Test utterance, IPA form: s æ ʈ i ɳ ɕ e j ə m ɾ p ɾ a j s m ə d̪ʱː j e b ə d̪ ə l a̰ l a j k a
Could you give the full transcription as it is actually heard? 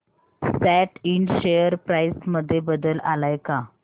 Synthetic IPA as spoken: s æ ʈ i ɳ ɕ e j ə ɾ p ɾ a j s m ə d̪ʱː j e b ə d̪ ə l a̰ l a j k a